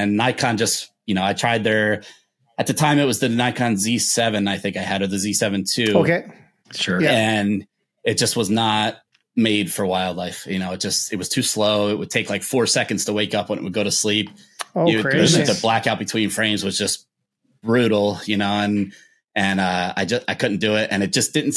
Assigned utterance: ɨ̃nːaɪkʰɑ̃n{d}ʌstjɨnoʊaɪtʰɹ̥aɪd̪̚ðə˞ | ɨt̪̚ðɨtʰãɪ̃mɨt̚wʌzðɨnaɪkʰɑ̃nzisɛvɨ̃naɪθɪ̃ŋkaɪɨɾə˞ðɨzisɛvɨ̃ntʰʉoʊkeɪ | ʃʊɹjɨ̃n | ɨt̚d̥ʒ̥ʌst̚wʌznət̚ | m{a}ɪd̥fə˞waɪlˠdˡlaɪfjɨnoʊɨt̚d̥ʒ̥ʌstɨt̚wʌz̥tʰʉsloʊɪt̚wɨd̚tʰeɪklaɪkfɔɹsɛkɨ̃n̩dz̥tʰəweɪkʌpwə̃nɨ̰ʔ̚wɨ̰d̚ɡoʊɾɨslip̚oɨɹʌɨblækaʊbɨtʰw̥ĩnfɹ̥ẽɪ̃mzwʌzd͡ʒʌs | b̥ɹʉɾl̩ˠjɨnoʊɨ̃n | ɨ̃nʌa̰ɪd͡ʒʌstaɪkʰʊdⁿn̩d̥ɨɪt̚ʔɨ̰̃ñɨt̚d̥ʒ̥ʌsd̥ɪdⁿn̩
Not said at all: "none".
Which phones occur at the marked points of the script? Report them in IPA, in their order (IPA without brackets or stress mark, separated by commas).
d͡ʒ, e